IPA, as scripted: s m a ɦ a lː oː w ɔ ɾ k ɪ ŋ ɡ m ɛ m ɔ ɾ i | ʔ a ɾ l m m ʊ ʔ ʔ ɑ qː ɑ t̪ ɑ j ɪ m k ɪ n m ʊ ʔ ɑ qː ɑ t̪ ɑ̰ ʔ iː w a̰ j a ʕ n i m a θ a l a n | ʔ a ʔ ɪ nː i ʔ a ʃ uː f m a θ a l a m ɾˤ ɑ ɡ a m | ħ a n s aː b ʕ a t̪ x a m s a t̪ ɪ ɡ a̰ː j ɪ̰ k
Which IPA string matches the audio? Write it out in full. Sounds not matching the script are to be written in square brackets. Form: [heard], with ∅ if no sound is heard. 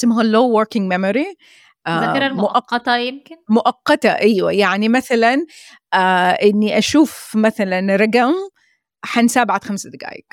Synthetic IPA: s m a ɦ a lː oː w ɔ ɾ k ɪ ŋ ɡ m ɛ m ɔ ɾ i | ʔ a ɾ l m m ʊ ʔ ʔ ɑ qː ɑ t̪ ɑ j ɪ m k ɪ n m ʊ ʔ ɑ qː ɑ t̪ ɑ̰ ʔ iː w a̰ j a ʕ n i m a θ a l a n | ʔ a ʔ ɪ nː i ʔ a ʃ uː f m a θ a l a [n] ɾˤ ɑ ɡ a m | ħ a n s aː b ʕ a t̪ x a m s a [d̪] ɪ ɡ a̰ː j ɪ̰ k